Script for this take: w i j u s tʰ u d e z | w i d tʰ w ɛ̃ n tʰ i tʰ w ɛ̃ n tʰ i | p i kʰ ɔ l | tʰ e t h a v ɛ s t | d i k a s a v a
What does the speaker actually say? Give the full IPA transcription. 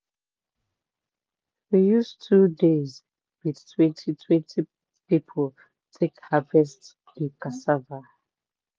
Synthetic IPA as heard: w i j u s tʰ u d e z | w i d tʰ w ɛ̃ n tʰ i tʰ w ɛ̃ n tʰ i | p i pʰ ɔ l | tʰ e k h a v ɛ s t | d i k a s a v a

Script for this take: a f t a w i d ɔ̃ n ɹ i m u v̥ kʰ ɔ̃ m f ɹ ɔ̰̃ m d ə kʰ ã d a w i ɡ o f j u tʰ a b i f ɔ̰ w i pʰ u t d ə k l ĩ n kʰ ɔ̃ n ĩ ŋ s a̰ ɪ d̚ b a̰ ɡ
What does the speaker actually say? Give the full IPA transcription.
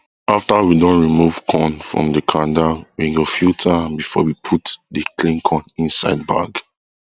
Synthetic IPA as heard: a f t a w i d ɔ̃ n ɹ i m u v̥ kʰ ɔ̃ n f ɹ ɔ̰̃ m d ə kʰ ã d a w i ɡ o f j u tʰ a b i f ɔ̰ w i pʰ u t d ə k l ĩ n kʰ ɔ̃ n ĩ n s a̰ ɪ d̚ b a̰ ɡ

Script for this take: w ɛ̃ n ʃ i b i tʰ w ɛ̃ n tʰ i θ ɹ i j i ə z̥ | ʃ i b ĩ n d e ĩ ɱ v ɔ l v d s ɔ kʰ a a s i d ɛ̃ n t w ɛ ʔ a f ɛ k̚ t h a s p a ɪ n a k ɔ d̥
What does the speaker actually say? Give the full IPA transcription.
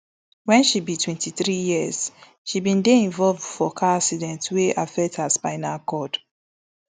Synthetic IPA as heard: w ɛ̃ n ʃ i b i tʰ w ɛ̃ n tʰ i θ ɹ i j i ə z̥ | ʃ i b ĩ n d e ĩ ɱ v ɔ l v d f ɔ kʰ a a s i d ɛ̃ n t w e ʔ a f ɛ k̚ t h a s p a ɪ n a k ɔ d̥

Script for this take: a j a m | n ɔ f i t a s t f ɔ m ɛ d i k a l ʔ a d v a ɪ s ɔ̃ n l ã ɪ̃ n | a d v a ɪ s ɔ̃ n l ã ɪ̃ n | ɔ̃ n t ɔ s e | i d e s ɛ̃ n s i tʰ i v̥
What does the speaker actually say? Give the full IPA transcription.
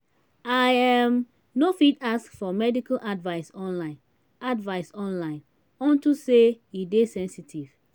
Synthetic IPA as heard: a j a m | n o f i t a s k f ɔ m ɛ d i k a l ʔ a d v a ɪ s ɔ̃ n l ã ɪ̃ n | a d v a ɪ s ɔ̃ n l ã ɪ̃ n | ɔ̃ n t u s e | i d e s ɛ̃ n s i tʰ i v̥

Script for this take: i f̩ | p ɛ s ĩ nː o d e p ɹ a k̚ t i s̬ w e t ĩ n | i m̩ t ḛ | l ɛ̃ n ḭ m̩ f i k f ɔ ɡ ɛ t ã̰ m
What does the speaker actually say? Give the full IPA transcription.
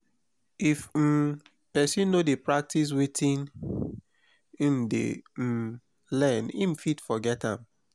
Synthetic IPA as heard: i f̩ | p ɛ s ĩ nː o d e p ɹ a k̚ t i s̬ w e t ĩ n | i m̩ d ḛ | l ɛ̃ n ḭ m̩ f i t f ɔ ɡ ɛ t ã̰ m

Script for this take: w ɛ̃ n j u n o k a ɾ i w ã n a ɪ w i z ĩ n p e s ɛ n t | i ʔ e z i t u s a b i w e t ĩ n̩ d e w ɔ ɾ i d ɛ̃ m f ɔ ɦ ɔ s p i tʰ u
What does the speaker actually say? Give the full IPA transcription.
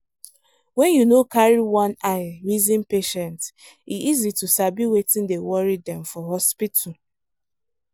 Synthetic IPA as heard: w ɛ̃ n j u n o k a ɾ i w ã n a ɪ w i z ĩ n p e ʃ ɛ n t | i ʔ i z i t u s a b i w e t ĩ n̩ d e w ɔ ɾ i d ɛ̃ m f ɔ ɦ ɔ s p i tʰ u

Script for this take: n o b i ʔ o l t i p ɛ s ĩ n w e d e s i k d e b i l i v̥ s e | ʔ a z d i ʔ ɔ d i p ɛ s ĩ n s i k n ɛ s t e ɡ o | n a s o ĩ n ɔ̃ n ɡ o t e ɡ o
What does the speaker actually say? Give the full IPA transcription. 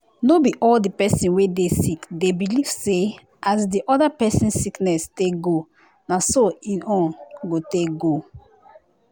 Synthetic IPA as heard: n o b i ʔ ɔ l d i p ɛ s ĩ n w e d e s i k d e b i l i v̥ s e | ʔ a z d i ʔ ɔ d a p ɛ s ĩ n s i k n ɛ s t e ɡ o | n a s o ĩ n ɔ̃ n ɡ o t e ɡ o

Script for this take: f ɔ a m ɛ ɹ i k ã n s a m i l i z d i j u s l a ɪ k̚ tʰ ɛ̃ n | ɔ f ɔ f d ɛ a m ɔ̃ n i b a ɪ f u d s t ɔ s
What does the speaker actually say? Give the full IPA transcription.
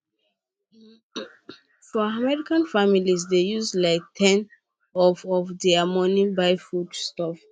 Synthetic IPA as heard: f ɔ a m ɛ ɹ i k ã n f a m i l i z d e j u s l a ɪ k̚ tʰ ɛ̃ n | ɔ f ɔ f d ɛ a m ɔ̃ n i b a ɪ f u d s t ɔ f

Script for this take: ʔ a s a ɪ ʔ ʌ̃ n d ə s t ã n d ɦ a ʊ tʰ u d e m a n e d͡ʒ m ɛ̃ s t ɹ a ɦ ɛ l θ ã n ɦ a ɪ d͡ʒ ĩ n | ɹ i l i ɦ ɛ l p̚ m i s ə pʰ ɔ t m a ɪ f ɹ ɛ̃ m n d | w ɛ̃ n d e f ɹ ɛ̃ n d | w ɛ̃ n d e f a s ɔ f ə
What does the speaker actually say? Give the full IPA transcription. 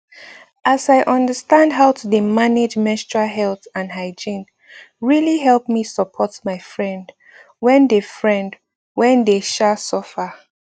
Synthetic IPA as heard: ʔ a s a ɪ ʔ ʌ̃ n d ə s t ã n d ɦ a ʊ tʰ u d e m a n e d͡ʒ m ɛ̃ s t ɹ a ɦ ɛ l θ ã n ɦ a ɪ d͡ʒ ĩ n | ɹ i l i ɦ ɛ l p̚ m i s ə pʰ ɔ t m a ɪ f ɹ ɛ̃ n d | w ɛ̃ n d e f ɹ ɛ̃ n d | w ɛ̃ n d e ʃ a s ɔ f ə

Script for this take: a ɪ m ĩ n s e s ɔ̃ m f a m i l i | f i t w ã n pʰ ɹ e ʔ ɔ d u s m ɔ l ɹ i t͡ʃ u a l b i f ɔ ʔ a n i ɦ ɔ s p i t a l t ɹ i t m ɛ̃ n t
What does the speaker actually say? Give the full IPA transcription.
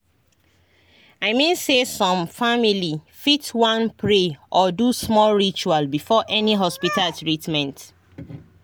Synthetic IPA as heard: a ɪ m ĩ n s e s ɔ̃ m f a m i l i | f i t w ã n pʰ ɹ e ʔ ɔ d u s m ɔ l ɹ i t͡ʃ u a l b i f ɔ ʔ ɛ n i ɦ ɔ s p i t a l t ɹ i t m ɛ̃ n t

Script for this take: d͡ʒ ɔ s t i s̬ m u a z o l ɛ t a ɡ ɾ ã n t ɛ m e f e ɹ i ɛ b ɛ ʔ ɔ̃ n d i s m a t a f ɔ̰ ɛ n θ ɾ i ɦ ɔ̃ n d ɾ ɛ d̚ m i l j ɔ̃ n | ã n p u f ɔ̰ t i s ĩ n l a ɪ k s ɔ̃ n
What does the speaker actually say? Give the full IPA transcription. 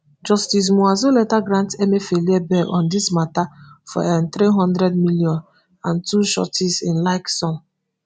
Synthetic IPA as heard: d͡ʒ ɔ s t i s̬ m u a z o l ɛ t a ɡ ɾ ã n t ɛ m e f e l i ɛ b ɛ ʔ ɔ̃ n d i s m a t a f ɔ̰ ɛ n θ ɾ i ɦ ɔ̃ n d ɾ ɛ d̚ m i l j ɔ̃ n | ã n t u ʃ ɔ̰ t i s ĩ n l a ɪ k s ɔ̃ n

